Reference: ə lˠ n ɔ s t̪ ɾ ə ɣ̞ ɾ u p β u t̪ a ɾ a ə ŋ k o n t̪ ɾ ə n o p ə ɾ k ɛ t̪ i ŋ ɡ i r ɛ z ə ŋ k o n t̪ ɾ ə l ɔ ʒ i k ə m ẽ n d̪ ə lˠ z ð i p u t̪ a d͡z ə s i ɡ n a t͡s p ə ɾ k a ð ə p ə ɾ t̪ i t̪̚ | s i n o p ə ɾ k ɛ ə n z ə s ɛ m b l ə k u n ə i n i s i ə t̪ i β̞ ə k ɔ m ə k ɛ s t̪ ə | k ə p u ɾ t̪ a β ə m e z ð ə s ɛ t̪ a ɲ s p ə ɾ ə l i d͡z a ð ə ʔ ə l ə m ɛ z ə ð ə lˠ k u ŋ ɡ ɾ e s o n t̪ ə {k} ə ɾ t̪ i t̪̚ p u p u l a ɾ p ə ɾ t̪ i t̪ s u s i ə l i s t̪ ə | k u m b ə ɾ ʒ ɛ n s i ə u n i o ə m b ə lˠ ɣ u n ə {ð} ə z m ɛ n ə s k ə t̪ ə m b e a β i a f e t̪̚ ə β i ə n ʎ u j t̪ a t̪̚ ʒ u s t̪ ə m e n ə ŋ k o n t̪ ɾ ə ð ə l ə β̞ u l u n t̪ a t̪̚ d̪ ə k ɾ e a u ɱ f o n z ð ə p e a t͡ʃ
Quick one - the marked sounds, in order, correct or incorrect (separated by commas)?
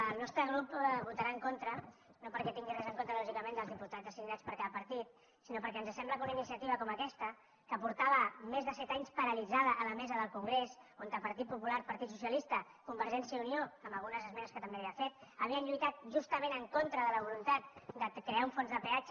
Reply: incorrect, incorrect